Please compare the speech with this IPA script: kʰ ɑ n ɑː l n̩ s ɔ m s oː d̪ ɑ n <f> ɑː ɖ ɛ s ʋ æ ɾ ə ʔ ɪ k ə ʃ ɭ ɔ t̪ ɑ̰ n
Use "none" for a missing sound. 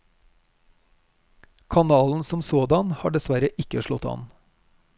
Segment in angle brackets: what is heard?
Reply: h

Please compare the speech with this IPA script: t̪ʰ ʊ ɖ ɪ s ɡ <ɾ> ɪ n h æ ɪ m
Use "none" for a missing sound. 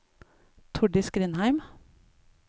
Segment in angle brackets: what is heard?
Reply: ɾ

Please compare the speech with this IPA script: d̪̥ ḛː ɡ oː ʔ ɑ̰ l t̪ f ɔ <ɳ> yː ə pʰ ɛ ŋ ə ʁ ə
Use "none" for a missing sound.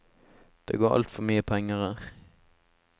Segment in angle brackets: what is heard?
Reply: m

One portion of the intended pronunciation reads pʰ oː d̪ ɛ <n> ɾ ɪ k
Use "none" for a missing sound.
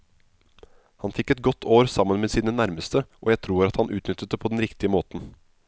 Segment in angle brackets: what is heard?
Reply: n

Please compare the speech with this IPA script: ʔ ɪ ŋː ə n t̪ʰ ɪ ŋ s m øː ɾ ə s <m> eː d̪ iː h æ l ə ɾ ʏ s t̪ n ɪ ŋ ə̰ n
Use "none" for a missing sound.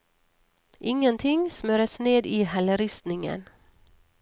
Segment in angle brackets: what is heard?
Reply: n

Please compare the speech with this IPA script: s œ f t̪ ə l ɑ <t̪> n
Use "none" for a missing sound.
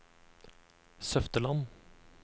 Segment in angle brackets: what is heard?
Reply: none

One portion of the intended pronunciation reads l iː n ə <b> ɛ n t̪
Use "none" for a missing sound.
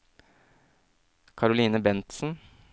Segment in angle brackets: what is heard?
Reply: b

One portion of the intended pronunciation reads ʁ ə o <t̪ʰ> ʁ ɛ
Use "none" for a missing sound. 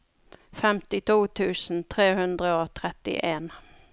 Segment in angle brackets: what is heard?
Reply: t̪ʰ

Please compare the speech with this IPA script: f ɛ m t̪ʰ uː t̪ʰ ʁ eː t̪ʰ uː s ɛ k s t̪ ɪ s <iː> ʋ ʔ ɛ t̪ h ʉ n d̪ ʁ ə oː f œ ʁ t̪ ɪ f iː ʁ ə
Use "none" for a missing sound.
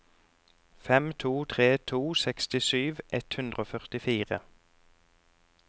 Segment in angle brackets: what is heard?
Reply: yː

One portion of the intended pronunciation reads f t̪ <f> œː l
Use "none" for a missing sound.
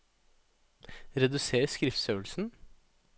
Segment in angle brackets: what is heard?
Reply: s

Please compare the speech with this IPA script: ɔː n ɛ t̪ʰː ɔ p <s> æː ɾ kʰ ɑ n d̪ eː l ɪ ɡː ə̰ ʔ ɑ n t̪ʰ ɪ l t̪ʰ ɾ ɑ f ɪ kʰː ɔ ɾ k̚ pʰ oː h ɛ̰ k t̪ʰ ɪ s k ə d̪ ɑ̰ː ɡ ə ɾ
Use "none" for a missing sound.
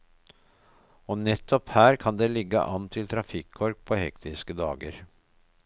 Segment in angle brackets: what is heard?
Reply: h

